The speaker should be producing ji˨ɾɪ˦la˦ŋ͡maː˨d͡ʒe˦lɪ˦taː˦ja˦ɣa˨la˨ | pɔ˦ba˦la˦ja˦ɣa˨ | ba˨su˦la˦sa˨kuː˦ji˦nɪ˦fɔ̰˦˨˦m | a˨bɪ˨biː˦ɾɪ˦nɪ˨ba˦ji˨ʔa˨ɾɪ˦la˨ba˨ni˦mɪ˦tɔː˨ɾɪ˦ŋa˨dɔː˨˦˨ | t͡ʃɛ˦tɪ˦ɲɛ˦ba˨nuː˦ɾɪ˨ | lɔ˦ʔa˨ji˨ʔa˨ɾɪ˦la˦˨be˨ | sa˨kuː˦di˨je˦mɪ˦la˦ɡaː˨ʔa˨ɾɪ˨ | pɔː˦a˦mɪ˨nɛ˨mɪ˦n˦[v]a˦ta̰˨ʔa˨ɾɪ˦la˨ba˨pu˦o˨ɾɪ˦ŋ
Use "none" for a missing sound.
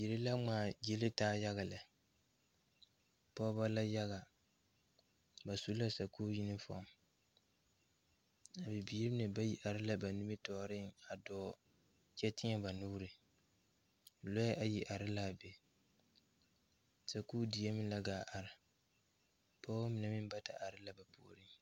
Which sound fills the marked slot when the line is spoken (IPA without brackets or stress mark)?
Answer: b